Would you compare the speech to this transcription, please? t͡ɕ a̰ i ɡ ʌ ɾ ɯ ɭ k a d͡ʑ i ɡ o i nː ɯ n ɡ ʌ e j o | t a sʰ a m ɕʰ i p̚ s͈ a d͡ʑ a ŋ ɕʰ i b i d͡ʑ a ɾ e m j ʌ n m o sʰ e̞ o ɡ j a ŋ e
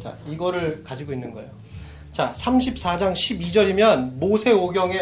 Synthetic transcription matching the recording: t͡ɕ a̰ i ɡ ʌ ɾ ɯ ɭ k a d͡ʑ i ɡ o i nː ɯ n ɡ ʌ e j o | t͡ɕ a sʰ a m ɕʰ i p̚ s͈ a d͡ʑ a ŋ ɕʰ i b i d͡ʑ ʌ ɾ i m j ʌ n m o sʰ e̞ o ɡ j ʌ ŋ e